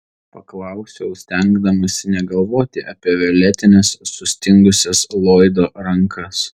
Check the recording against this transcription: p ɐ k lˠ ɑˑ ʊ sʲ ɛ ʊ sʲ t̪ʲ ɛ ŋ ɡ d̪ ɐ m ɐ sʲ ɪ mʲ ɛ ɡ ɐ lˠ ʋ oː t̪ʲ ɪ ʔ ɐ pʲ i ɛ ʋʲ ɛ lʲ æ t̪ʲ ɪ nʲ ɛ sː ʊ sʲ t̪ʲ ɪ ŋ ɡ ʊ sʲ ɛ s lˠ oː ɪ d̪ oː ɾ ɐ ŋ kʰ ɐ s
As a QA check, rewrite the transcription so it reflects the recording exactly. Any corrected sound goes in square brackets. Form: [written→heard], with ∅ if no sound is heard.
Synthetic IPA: p ɐ k lˠ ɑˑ ʊ sʲ ɛ ʊ sʲ t̪ʲ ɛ ŋ ɡ d̪ ɐ m ɐ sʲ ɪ [mʲ→nʲ] ɛ ɡ ɐ lˠ ʋ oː t̪ʲ ɪ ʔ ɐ pʲ i ɛ ʋʲ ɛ lʲ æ t̪ʲ ɪ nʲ ɛ sː ʊ sʲ t̪ʲ ɪ ŋ ɡ ʊ sʲ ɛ s lˠ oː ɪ d̪ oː ɾ ɐ ŋ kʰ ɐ s

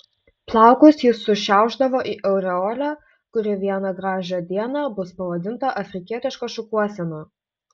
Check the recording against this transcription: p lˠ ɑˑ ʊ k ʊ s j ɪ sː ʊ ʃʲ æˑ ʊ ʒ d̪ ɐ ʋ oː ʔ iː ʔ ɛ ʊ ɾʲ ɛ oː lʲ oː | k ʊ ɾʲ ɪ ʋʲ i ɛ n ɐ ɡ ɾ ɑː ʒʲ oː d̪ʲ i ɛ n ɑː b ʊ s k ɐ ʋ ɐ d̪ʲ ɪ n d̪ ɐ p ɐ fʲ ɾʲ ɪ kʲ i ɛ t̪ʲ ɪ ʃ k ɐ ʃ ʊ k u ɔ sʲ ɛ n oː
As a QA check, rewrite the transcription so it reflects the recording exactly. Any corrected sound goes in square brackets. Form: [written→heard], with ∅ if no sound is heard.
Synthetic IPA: p lˠ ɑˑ ʊ k ʊ s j ɪ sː ʊ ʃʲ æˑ ʊ ʒ d̪ ɐ ʋ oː ʔ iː ʔ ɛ ʊ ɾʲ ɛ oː lʲ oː | k ʊ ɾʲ ɪ ʋʲ i ɛ n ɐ ɡ ɾ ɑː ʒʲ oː d̪ʲ i ɛ n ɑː b ʊ s [k→p] ɐ ʋ ɐ d̪ʲ ɪ n [d̪→t̪] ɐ [p→ʔ] ɐ fʲ ɾʲ ɪ kʲ i ɛ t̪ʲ ɪ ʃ k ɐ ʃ ʊ k u ɔ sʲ ɛ n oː

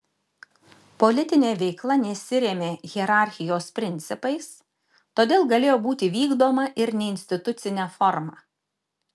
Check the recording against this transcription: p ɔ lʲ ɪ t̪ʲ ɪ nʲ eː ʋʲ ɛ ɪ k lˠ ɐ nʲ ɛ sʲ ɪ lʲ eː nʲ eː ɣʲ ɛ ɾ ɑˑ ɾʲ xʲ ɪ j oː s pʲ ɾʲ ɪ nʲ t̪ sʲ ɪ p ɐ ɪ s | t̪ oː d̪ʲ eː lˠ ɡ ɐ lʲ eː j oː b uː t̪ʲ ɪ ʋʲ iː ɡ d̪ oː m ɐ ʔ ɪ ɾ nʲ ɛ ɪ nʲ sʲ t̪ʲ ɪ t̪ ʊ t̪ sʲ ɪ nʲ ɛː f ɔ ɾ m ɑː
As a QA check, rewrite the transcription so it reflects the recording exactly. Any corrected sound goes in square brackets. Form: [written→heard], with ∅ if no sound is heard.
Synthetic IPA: p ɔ lʲ ɪ t̪ʲ ɪ nʲ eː ʋʲ ɛ ɪ k lˠ ɐ nʲ ɛ sʲ ɪ [lʲ→ɾʲ] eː [nʲ→mʲ] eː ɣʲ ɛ ɾ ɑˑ ɾʲ xʲ ɪ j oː s pʲ ɾʲ ɪ nʲ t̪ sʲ ɪ p ɐ ɪ s | t̪ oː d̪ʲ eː lˠ ɡ ɐ lʲ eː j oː b uː t̪ʲ ɪ ʋʲ iː ɡ d̪ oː m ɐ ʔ ɪ ɾ nʲ ɛ ɪ nʲ sʲ t̪ʲ ɪ t̪ ʊ t̪ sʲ ɪ nʲ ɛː f ɔ ɾ m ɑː

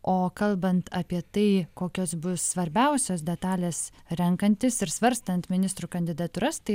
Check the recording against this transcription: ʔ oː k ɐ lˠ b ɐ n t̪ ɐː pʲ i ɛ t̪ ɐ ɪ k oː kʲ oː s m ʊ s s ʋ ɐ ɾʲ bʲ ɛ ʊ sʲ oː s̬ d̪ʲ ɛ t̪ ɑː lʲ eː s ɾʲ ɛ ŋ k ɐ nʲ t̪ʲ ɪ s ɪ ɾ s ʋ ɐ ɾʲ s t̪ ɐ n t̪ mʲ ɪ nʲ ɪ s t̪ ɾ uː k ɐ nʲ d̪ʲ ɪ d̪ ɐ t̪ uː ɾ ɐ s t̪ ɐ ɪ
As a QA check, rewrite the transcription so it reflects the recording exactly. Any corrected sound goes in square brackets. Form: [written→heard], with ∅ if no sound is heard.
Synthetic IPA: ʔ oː k ɐ lˠ b ɐ n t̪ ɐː pʲ i ɛ t̪ ɐ ɪ k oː kʲ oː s [m→b] ʊ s s ʋ ɐ ɾʲ bʲ ɛ ʊ sʲ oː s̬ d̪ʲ ɛ t̪ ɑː lʲ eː s ɾʲ ɛ ŋ k ɐ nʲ t̪ʲ ɪ s ɪ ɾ s ʋ ɐ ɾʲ s t̪ ɐ n t̪ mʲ ɪ nʲ ɪ s t̪ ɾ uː k ɐ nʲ d̪ʲ ɪ d̪ ɐ t̪ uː ɾ ɐ s t̪ ɐ ɪ

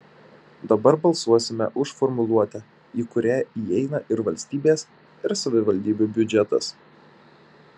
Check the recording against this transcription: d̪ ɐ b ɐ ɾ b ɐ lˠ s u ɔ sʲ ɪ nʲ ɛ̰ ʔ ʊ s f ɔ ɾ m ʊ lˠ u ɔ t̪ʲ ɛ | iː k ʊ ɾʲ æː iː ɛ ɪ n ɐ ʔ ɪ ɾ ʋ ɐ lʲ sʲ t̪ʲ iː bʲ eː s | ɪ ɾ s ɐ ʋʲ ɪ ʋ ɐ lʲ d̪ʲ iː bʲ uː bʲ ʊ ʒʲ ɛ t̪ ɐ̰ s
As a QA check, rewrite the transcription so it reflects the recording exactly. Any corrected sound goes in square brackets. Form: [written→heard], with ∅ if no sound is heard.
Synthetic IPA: d̪ ɐ b ɐ ɾ b ɐ lˠ s u ɔ sʲ ɪ [nʲ→mʲ] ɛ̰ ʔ ʊ [s→ʃ] f ɔ ɾ m ʊ lˠ u ɔ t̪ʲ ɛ | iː k ʊ ɾʲ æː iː ɛ ɪ n ɐ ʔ ɪ ɾ ʋ ɐ lʲ sʲ t̪ʲ iː bʲ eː s | ɪ ɾ s ɐ ʋʲ ɪ ʋ ɐ lʲ d̪ʲ iː bʲ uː bʲ ʊ [ʒʲ→d͡ʒʲ] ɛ t̪ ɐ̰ s

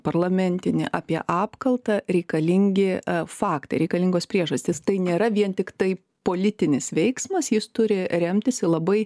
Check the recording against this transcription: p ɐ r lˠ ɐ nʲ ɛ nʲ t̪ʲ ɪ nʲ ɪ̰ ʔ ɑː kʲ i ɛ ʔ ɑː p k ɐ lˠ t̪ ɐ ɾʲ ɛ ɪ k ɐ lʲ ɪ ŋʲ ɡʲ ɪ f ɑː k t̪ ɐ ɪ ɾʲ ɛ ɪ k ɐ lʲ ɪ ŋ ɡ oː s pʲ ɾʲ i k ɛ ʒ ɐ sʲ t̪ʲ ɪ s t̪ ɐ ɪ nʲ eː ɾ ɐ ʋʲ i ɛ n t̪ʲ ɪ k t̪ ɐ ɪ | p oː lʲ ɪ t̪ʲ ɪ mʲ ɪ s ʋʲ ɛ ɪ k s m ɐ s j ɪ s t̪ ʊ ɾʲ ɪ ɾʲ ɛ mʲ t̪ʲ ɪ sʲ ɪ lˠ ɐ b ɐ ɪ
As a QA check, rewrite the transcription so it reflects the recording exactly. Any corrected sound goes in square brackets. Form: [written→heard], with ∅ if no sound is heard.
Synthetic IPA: p ɐ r lˠ ɐ [nʲ→mʲ] ɛ nʲ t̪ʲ ɪ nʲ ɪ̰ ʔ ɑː [kʲ→pʲ] i ɛ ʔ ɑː p k ɐ lˠ t̪ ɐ ɾʲ ɛ ɪ k ɐ lʲ ɪ ŋʲ ɡʲ ɪ f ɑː k t̪ ɐ ɪ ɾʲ ɛ ɪ k ɐ lʲ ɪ ŋ ɡ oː s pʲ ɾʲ i [k→∅] ɛ ʒ ɐ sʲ t̪ʲ ɪ s t̪ ɐ ɪ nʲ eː ɾ ɐ ʋʲ i ɛ n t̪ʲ ɪ k t̪ ɐ ɪ | p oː lʲ ɪ t̪ʲ ɪ [mʲ→nʲ] ɪ s ʋʲ ɛ ɪ k s m ɐ s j ɪ s t̪ ʊ ɾʲ ɪ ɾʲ ɛ mʲ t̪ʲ ɪ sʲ ɪ lˠ ɐ b ɐ ɪ

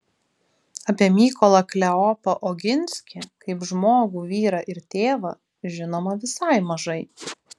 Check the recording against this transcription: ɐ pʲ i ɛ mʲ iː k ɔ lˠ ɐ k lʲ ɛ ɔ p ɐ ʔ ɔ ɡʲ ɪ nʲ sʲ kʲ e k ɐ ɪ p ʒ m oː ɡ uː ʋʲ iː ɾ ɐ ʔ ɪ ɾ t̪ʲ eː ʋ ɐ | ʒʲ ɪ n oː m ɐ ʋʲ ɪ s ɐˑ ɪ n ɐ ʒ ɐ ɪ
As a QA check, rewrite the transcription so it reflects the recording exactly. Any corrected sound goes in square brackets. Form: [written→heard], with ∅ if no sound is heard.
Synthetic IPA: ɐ pʲ i ɛ mʲ iː k ɔ lˠ ɐ k lʲ ɛ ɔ p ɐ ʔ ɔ ɡʲ ɪ nʲ sʲ kʲ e k ɐ ɪ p ʒ m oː ɡ uː ʋʲ iː ɾ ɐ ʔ ɪ ɾ t̪ʲ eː ʋ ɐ | ʒʲ ɪ n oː m ɐ ʋʲ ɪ s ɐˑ ɪ [n→m] ɐ ʒ ɐ ɪ

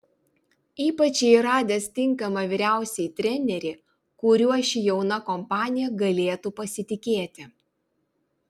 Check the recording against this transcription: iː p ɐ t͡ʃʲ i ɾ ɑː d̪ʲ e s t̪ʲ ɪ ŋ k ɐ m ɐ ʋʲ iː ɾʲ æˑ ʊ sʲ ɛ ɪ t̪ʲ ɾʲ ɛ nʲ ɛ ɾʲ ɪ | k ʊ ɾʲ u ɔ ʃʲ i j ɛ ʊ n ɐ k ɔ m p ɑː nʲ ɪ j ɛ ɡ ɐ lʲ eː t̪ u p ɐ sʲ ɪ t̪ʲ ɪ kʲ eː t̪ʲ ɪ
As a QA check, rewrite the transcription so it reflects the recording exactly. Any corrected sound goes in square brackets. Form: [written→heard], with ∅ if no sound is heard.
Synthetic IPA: iː p ɐ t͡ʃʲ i ɾ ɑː d̪ʲ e s t̪ʲ ɪ ŋ k ɐ m ɐ ʋʲ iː ɾʲ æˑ ʊ sʲ ɛ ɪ t̪ʲ ɾʲ ɛ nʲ ɛ ɾʲ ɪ | k ʊ ɾʲ u ɔ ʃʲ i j ɛ ʊ n ɐ k ɔ m p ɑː nʲ ɪ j ɛ ɡ ɐ lʲ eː t̪ u p ɐ sʲ ɪ t̪ʲ ɪ kʲ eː t̪ʲ ɪ

